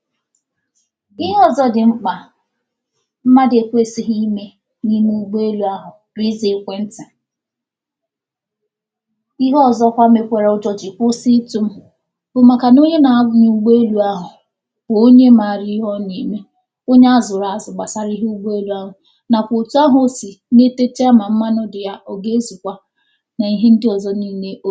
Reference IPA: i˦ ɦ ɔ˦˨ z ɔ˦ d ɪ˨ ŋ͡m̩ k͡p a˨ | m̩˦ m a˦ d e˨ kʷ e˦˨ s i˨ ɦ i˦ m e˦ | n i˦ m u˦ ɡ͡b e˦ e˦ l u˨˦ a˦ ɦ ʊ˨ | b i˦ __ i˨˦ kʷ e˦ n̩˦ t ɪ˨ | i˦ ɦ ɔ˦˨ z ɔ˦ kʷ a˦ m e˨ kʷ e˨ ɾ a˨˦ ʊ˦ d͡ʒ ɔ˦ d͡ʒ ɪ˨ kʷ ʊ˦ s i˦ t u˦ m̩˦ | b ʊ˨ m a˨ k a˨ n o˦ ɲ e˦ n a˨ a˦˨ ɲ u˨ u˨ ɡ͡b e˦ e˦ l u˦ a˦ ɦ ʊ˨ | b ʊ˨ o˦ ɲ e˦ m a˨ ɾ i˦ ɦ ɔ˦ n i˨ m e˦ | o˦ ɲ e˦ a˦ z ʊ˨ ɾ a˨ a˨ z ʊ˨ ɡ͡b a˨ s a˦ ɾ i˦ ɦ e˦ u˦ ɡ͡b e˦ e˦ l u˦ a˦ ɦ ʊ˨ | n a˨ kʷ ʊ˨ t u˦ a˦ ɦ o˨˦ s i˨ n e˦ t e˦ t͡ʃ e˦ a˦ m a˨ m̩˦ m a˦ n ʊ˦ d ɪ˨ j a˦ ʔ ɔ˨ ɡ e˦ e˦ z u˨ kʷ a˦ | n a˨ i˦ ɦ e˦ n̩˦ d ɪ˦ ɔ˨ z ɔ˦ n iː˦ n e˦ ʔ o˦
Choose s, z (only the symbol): z